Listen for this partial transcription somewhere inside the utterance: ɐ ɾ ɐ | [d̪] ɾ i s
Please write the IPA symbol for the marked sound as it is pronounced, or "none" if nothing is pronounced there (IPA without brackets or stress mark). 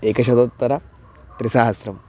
t̪